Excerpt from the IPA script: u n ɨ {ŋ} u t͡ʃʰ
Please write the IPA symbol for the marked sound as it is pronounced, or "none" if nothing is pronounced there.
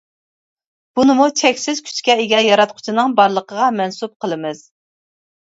m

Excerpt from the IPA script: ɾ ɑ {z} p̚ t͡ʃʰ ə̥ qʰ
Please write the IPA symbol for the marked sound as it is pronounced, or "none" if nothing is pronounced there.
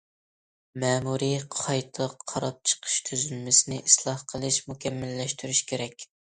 none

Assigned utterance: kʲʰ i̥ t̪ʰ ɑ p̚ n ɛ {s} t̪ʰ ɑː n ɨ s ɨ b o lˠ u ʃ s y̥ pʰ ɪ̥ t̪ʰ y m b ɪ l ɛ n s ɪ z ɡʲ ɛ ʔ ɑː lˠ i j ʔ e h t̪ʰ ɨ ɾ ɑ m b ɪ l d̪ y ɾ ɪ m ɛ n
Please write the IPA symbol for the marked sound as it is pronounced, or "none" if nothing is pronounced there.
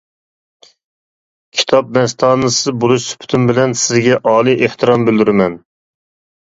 s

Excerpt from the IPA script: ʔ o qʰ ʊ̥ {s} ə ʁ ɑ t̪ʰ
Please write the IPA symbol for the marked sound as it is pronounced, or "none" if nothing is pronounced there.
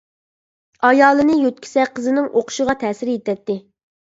ʃ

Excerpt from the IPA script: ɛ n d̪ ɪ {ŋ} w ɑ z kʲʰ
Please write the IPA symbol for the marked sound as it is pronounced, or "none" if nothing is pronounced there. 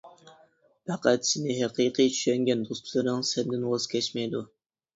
n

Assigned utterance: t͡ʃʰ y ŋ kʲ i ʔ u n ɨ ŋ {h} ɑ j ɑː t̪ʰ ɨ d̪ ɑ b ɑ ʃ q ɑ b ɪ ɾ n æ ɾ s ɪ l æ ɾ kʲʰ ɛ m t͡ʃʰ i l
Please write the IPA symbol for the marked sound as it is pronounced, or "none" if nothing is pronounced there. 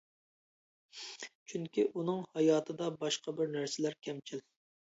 h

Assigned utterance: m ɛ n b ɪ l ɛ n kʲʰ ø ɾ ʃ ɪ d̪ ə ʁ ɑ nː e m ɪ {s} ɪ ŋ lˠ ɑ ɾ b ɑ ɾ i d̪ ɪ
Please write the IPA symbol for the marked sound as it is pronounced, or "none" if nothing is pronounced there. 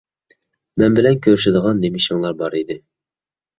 ʃ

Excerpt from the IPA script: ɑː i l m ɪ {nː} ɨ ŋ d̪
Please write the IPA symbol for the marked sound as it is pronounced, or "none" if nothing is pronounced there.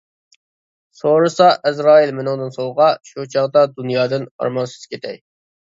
n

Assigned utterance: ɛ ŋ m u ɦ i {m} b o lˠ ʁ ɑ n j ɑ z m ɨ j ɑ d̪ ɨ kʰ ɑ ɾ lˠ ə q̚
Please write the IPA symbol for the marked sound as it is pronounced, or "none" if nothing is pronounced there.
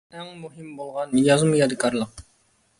m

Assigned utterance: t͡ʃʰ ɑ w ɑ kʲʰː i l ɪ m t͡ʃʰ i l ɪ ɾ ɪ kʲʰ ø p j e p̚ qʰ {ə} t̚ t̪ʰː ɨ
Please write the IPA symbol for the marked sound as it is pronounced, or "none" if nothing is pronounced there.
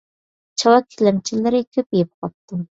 ɑ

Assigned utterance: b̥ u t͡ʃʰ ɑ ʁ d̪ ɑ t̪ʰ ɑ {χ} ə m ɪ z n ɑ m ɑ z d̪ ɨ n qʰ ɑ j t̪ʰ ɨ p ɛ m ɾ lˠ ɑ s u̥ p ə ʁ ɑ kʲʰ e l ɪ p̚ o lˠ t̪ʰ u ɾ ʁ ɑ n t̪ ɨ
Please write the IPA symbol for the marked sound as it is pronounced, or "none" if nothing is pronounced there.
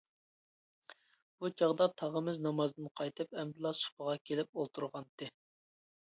ʁ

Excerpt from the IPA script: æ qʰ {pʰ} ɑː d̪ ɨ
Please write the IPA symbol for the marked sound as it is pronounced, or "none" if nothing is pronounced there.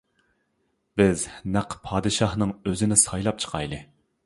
pʰ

